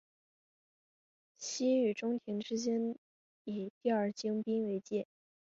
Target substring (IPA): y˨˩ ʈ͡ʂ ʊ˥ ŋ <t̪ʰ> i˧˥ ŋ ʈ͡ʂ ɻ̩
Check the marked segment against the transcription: correct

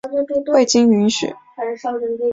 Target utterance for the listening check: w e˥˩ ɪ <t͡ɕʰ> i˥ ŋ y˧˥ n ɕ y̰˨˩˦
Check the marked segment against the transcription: incorrect: t͡ɕ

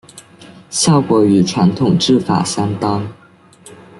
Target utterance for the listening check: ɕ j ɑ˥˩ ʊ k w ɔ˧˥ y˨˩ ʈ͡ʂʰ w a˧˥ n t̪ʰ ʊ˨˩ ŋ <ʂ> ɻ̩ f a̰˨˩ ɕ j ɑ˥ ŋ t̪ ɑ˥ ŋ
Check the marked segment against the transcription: incorrect: ʈ͡ʂ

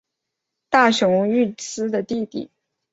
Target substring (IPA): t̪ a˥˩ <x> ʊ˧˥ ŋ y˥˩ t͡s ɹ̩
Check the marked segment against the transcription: incorrect: ɕ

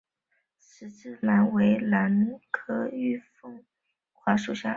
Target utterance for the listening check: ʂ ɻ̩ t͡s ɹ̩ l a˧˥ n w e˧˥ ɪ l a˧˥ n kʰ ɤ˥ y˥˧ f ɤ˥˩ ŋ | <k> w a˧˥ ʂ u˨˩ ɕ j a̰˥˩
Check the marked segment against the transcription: incorrect: x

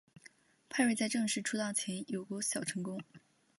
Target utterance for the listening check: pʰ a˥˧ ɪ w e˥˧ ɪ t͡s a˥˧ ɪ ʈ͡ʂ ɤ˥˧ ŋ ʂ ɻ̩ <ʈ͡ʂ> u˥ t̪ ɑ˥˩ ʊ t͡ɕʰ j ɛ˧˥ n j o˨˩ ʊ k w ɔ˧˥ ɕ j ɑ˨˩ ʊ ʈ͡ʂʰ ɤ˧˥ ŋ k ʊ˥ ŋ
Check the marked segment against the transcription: incorrect: ʈ͡ʂʰ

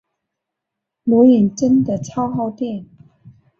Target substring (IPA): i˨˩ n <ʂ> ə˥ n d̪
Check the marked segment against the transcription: incorrect: ʈ͡ʂ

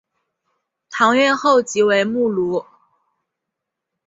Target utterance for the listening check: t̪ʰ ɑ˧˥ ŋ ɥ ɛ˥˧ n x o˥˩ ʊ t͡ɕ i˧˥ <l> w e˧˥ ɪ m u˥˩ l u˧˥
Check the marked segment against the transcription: incorrect: none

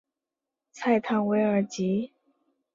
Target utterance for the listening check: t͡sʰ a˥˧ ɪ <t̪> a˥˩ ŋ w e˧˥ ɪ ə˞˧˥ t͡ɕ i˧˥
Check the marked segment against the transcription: incorrect: t̪ʰ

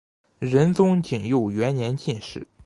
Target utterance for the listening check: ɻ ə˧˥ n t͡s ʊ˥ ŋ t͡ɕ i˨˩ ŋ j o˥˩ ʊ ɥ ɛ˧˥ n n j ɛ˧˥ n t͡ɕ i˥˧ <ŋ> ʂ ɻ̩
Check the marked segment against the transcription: incorrect: n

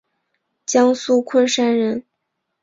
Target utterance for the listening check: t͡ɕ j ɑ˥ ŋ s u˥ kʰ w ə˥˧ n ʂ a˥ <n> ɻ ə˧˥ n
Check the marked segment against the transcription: correct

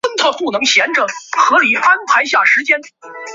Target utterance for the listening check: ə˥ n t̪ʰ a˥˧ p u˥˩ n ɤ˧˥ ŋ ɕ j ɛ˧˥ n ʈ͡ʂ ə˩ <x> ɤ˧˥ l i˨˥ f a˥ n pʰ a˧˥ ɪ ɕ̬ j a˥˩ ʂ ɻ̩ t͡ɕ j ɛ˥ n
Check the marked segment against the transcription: correct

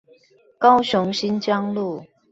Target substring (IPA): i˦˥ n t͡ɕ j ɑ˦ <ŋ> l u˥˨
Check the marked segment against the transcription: correct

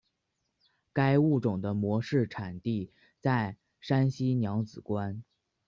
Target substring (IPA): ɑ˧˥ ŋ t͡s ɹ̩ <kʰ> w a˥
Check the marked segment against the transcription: incorrect: k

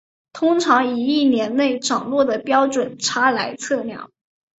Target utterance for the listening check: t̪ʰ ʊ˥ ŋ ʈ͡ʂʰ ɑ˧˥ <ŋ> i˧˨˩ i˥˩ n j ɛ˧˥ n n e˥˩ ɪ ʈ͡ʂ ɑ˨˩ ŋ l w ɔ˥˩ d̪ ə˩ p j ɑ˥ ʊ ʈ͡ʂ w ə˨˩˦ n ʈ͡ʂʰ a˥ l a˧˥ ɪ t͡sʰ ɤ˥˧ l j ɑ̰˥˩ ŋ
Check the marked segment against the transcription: correct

